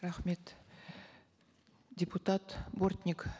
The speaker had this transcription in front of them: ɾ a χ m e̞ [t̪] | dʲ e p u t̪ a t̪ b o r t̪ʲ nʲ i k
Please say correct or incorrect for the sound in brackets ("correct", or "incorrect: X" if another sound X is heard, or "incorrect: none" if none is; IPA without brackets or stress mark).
correct